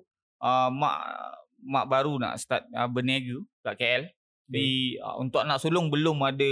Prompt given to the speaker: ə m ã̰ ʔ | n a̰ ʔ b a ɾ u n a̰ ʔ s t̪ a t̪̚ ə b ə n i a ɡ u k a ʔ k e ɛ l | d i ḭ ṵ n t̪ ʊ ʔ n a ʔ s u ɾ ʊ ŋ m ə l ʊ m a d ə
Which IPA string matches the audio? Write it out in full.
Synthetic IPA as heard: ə m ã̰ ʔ | m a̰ ʔ b a ɾ u n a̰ ʔ s t̪ a t̪̚ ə b ə n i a ɡ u k a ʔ k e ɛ l | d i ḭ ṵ n t̪ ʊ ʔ n a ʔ s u l ʊ ŋ b ə l ʊ m a d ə